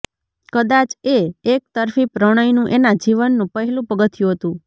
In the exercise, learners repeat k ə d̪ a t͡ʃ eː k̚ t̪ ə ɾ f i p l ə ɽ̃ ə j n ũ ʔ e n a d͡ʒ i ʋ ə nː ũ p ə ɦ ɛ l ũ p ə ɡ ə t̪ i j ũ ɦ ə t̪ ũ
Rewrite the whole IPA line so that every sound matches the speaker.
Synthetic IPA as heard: k ə d̪ a t͡ʃ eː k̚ t̪ ə ɾ f i p ɾ ə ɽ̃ ə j n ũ ʔ e n a d͡ʒ i ʋ ə nː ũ p ə ɦ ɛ l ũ p ə ɡ ə t̪ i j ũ ɦ ə t̪ ũ

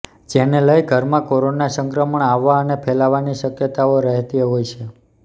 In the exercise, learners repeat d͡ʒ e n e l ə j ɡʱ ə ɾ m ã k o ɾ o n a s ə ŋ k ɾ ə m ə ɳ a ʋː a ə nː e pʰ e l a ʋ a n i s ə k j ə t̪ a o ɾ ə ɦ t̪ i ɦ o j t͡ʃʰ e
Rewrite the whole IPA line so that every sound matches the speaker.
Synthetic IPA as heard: d͡ʒ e n e l ə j ɡʱ ə ɾ m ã k o ɾ o n a s ə ŋ k ɾ ə m ə ɳ a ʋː a ə n e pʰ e l a ʋ a n i ʃ ə k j ə t̪ a o ɾ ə ɦ t̪ i ɦ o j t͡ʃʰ e

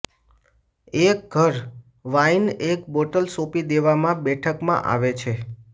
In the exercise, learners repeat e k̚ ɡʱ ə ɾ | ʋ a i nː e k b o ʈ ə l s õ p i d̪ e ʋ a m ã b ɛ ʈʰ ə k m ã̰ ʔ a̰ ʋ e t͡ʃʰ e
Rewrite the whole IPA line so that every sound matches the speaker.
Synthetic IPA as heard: e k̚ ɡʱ ə ɾ | ʋ a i n e k b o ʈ ə l s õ p i d̪ e ʋ a m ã b ɛ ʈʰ ə k m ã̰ ʔ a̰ ʋ e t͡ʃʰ e

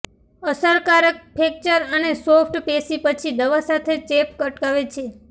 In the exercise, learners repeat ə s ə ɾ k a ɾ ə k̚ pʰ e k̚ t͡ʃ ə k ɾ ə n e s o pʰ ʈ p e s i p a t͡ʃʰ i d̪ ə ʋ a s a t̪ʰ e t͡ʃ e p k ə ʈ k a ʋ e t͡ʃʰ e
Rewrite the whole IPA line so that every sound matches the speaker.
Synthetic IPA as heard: ə s ə ɾ k a ɾ ə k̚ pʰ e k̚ t͡ʃ ə ɾ ə n e s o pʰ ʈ p e s i p ə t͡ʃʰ i d̪ ə ʋ a s a t̪ʰ e t͡ʃ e p k ə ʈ k a ʋ e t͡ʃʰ e

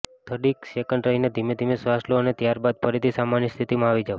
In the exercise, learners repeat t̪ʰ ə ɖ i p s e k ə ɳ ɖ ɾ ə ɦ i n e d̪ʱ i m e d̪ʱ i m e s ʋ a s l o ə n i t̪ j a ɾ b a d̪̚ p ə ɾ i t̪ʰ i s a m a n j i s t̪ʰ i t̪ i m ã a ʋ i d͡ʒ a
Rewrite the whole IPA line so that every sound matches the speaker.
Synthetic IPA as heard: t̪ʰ ə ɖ i k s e k ə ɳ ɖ ɾ ə ɦ i n e d̪ʱ i m e d̪ʱ i m e s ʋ a s l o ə n e t̪ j a ɾ b a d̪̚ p ə ɾ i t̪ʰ i s a m a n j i s t̪ʰ i t̪ i m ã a ʋ i d͡ʒ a

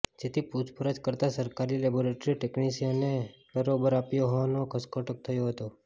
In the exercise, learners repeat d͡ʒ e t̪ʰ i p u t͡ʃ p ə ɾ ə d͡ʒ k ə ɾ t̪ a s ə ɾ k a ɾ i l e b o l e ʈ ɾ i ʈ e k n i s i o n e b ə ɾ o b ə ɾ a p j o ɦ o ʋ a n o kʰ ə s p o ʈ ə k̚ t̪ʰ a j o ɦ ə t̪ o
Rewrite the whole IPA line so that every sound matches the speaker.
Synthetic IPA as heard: d͡ʒ e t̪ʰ i p u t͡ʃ p ə ɾ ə d͡ʒ k ə ɾ t̪ a s ə ɾ k a ɾ i l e b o ɾ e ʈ ɾ i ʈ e k n i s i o n e b ə ɾ o b ə ɾ a p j o ɦ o ʋ a n o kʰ ə s k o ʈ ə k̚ t̪ʰ ə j o ɦ ə t̪ o

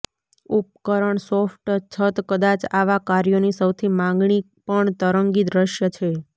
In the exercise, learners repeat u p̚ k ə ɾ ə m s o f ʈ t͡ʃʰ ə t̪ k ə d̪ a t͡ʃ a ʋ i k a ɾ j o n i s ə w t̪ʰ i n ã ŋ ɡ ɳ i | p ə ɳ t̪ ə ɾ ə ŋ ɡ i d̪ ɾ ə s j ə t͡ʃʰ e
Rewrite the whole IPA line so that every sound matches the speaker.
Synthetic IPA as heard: u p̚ k ə ɾ ə ɳ s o f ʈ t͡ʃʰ ə t̪ k ə d̪ a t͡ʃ a ʋ a k a ɾ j o n i s ə w t̪ʰ i m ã ŋ ɡ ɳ i | p ə ɳ t̪ ə ɾ ə ŋ ɡ i d̪ ɾ ə ʃ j ə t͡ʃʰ e

